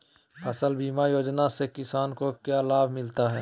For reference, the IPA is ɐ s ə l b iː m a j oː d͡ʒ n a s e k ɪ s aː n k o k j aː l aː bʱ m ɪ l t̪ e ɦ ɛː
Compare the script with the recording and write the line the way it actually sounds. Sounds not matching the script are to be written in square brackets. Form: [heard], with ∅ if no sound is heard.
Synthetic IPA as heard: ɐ s ə l b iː m a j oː d͡ʒ n a s e k ɪ s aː n k o k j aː l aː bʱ m ɪ l t̪ [a] ɦ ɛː